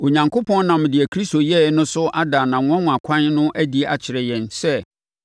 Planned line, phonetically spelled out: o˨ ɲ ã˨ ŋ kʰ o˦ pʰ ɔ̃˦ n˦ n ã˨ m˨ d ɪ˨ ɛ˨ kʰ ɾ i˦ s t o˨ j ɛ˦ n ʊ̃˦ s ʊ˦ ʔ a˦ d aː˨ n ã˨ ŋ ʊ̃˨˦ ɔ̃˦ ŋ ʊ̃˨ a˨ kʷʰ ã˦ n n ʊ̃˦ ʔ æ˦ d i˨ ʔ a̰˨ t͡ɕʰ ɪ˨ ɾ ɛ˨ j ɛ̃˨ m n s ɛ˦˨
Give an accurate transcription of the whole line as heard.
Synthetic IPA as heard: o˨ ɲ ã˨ ŋ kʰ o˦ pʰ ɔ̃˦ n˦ n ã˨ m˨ d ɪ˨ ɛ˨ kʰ ɾ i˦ s t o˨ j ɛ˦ n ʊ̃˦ s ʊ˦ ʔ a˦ d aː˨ n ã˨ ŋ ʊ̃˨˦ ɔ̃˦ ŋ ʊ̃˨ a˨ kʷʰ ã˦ n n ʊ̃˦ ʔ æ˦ d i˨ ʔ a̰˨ t͡ɕʰ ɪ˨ ɾ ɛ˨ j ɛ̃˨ n s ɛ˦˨